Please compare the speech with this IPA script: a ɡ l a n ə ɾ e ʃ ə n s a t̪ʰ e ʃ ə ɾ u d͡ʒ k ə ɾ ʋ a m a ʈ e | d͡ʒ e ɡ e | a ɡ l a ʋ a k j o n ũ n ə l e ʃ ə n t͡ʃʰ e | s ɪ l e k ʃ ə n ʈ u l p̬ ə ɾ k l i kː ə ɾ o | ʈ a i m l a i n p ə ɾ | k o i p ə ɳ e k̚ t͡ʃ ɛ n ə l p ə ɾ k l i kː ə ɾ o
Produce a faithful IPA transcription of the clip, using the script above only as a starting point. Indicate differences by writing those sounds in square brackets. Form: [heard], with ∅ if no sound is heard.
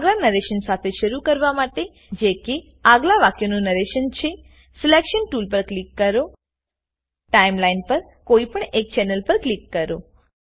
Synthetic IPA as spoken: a ɡ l a n ə ɾ e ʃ ə n s a t̪ʰ e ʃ ə ɾ u [∅] k ə ɾ ʋ a m a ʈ e | d͡ʒ e [k] e | a ɡ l a ʋ a k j o n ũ n ə [ɾ] e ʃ ə n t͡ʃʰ e | s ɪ l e k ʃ ə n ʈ u l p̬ ə ɾ k l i kː ə ɾ o | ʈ a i m l a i n p ə ɾ | k o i p ə ɳ e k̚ t͡ʃ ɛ n ə l p ə ɾ k l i kː ə ɾ o